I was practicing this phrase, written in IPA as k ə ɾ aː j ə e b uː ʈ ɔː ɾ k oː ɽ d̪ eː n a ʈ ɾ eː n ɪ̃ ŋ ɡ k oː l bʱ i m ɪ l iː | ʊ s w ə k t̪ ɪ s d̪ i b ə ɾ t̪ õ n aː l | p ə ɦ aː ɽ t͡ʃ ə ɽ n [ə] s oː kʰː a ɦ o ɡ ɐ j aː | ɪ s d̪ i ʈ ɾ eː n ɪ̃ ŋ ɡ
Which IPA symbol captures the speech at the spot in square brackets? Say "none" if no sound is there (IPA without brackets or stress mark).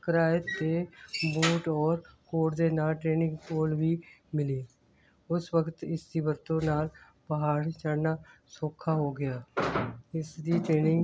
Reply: a